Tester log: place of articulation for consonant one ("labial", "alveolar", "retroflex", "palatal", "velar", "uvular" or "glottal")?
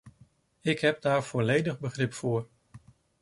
velar